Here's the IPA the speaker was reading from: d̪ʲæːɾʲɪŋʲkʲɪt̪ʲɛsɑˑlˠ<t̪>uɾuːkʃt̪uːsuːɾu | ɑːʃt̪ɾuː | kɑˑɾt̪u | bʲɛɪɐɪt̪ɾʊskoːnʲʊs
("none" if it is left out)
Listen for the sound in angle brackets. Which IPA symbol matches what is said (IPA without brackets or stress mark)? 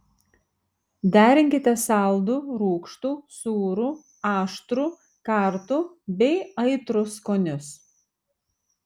d̪